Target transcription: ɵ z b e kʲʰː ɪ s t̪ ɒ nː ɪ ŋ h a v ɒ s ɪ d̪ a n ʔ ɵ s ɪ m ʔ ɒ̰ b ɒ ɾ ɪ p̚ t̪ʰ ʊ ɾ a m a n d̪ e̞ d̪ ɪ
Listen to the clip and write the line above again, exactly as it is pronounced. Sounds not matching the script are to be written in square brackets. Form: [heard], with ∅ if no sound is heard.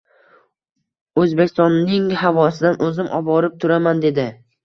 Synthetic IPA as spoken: ɵ z b e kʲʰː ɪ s t̪ ɒ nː ɪ ŋ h a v ɒ s ɪ d̪ a n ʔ ɵ [z] ɪ m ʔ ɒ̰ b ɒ ɾ ɪ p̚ t̪ʰ ʊ ɾ a m a n d̪ e̞ d̪ ɪ